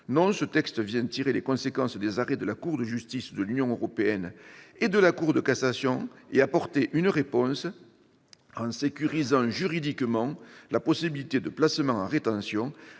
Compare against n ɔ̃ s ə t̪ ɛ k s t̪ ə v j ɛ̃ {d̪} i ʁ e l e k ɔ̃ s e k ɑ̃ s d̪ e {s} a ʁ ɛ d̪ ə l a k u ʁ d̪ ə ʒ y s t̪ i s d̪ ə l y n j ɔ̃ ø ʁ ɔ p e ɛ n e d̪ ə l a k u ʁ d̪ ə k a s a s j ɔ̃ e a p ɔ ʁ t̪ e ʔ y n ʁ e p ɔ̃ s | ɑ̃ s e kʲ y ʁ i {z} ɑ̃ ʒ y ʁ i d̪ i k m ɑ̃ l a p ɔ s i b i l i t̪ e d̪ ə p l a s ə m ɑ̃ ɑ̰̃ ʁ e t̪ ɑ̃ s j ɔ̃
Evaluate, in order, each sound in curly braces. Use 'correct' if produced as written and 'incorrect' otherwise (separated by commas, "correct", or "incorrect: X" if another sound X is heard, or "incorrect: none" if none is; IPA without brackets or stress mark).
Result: incorrect: t̪, incorrect: z, correct